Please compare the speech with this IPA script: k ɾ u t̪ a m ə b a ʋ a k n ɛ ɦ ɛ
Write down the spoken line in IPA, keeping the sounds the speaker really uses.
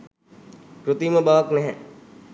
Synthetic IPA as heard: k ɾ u t̪ i m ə b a ʋ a k n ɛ ɦ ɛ